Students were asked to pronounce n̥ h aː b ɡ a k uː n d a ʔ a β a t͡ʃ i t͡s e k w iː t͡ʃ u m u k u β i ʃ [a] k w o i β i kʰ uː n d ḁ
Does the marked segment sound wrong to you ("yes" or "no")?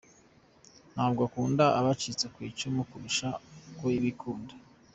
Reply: no